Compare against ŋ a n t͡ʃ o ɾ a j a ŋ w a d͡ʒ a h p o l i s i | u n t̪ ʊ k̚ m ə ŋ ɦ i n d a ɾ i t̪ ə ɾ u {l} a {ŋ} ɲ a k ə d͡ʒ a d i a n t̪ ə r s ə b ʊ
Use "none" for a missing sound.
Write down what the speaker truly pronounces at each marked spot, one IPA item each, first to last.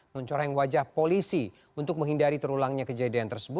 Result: l, ŋ

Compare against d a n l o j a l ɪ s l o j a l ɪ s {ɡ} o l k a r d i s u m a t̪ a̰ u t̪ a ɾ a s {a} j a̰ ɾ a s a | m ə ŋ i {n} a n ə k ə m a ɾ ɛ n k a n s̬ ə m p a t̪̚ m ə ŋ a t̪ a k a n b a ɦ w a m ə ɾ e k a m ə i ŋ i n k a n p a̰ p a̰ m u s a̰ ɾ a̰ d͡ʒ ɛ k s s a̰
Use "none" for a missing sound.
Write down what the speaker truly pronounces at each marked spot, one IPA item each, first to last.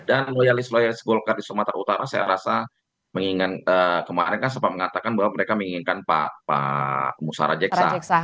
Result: ɡ, a, ŋ

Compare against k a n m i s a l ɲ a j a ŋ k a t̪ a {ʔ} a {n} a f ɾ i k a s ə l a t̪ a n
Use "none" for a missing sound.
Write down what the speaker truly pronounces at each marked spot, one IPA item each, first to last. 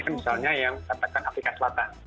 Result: k, n

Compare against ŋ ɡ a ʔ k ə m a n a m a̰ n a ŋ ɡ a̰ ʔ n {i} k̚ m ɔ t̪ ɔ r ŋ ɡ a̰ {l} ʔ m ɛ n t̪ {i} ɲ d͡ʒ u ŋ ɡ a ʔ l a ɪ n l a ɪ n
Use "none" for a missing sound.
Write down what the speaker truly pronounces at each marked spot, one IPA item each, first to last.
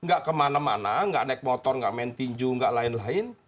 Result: ɛ, none, i

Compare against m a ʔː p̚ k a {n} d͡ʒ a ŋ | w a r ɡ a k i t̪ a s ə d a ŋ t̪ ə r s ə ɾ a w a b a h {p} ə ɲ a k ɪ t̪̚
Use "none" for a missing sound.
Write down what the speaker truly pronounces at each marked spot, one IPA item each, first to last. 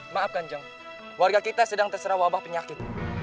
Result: ɲ, p

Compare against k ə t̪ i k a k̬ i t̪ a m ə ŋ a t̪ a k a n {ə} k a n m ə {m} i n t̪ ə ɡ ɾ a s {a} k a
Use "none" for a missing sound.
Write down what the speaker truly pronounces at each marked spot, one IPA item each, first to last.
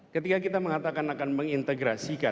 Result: a, ŋ, i

